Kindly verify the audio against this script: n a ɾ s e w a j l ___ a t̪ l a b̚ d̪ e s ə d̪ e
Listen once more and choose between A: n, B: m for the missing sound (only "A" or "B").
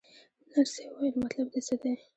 B